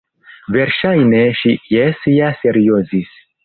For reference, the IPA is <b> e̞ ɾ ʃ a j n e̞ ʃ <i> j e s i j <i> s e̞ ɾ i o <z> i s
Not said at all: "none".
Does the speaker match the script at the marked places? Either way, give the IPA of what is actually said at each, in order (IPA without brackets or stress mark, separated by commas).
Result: v, i, a, z